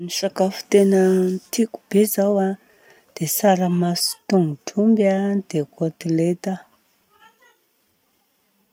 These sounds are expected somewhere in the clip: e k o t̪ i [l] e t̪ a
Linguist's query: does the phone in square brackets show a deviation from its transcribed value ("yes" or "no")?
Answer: no